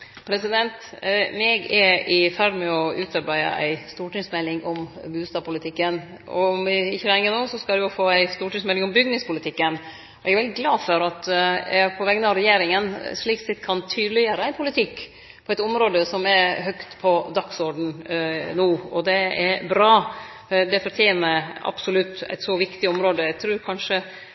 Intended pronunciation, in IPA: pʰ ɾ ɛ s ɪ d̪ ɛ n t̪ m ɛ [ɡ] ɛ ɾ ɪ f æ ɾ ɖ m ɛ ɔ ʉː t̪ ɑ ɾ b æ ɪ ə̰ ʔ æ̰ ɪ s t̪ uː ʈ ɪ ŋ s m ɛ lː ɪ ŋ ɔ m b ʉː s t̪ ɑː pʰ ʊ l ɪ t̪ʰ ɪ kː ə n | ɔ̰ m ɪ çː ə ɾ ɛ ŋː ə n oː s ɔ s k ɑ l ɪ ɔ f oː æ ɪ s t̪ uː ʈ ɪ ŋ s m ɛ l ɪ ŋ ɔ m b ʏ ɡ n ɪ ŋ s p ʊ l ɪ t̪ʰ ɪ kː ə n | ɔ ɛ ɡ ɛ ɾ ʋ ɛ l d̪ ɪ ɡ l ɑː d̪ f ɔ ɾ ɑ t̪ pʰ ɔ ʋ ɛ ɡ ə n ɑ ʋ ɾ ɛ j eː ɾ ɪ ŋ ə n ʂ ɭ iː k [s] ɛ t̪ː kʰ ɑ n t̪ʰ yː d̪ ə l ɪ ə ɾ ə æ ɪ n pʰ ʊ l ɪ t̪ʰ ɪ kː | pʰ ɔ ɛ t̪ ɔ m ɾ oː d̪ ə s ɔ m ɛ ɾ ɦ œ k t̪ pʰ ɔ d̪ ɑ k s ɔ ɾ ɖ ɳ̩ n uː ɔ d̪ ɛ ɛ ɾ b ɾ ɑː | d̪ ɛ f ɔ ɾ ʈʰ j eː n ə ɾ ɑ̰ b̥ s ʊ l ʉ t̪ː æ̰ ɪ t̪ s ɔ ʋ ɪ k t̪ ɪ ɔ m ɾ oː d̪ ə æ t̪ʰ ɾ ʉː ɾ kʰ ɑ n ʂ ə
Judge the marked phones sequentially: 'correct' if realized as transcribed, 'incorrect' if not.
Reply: correct, correct

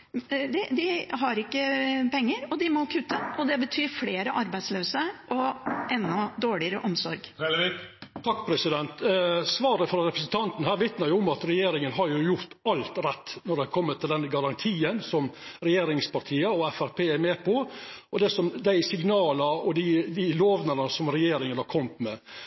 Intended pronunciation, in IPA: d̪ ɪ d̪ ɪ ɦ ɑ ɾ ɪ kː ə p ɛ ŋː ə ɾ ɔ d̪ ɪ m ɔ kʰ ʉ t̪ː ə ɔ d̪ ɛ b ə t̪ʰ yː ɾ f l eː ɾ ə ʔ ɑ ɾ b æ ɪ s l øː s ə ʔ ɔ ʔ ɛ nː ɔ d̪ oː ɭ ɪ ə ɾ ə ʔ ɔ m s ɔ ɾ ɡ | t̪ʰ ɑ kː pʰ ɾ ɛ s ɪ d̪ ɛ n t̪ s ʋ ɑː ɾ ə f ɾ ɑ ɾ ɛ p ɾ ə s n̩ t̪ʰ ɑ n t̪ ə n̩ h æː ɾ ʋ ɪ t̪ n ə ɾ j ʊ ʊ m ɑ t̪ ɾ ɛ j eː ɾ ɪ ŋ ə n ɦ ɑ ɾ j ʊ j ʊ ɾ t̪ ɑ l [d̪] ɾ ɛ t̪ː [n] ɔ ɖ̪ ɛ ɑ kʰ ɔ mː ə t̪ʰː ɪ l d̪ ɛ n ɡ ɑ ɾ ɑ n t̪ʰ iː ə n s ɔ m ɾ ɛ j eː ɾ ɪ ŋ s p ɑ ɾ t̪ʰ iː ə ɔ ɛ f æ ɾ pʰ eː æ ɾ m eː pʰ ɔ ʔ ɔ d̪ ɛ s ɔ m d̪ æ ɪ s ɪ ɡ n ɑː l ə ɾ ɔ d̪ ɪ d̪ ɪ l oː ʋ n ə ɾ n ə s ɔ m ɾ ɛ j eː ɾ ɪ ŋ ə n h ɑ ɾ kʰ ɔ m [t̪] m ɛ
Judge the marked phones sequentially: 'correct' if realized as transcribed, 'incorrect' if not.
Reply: incorrect: t̪, correct, correct

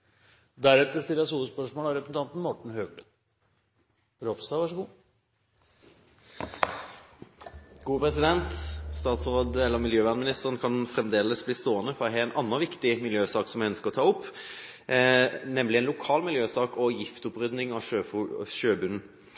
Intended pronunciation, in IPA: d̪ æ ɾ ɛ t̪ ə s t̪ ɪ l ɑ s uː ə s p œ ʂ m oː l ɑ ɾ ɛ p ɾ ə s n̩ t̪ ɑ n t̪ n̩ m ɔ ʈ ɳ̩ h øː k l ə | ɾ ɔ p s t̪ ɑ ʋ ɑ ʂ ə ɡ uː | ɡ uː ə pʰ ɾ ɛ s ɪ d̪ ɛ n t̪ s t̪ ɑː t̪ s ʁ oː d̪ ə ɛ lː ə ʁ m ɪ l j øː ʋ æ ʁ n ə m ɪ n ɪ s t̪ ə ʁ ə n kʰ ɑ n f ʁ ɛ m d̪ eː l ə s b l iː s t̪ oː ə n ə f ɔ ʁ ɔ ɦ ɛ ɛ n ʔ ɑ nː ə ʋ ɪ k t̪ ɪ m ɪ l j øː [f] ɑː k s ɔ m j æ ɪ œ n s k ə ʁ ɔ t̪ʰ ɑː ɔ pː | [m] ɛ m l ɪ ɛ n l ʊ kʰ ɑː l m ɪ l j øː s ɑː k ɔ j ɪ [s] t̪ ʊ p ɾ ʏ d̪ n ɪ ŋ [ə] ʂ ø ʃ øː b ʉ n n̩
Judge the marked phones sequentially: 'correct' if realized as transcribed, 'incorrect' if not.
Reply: incorrect: s, incorrect: n, incorrect: f, incorrect: ɑ

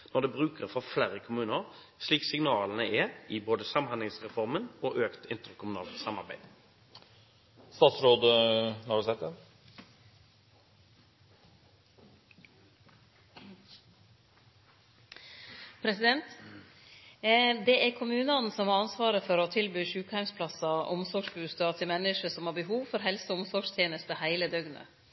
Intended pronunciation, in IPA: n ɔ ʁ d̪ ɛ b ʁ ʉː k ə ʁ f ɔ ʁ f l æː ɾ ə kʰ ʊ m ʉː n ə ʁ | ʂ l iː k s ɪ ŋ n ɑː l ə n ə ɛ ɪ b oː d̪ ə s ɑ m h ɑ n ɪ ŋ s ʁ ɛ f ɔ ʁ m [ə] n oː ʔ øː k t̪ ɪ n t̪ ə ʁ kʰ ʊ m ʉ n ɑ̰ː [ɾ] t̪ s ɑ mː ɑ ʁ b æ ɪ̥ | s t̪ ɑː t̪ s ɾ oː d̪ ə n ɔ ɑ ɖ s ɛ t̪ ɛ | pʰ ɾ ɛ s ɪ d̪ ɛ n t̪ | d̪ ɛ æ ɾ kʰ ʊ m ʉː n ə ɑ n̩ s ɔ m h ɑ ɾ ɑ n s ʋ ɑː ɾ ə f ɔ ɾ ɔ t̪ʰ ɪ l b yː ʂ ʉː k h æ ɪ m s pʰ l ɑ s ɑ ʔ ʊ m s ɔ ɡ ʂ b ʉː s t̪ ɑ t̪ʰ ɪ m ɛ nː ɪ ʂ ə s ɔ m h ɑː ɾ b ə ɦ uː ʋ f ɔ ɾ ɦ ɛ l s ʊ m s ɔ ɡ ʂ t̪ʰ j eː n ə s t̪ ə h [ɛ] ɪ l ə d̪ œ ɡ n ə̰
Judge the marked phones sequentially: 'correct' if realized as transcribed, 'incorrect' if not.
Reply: correct, incorrect: l, incorrect: æ

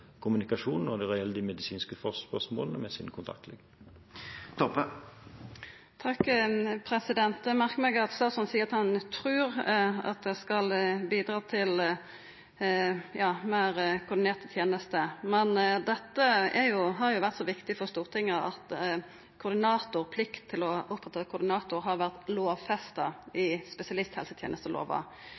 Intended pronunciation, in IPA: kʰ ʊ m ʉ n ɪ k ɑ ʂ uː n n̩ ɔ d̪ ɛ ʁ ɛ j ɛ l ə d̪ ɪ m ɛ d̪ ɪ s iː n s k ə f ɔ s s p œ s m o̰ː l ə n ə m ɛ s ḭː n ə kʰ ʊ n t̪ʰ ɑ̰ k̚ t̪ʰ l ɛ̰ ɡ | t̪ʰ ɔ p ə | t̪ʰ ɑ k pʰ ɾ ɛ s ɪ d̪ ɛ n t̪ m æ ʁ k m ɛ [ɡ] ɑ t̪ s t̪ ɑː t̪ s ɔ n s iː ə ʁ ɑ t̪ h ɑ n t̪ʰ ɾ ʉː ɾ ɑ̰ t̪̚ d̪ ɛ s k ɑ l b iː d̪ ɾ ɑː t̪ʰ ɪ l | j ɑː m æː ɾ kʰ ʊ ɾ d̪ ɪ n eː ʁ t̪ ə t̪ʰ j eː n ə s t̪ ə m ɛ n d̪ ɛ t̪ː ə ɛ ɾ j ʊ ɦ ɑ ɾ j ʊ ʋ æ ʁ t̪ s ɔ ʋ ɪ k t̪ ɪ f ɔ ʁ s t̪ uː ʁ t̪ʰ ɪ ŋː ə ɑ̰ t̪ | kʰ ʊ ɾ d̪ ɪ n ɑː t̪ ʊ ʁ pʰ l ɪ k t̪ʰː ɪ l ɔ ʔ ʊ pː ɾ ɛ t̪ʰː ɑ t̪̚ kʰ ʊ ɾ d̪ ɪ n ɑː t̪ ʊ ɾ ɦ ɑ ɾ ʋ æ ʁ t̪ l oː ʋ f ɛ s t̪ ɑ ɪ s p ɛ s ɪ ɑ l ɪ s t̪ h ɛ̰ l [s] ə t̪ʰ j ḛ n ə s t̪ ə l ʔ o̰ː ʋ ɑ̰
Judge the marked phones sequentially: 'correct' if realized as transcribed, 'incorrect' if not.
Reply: correct, correct

